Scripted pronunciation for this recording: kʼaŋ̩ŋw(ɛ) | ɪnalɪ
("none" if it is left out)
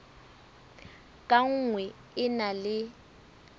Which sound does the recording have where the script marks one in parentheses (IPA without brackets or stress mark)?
ɛ